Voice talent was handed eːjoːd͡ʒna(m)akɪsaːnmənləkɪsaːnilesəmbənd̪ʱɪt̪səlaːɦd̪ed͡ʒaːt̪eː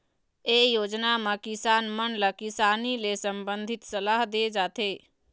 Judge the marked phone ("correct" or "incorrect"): correct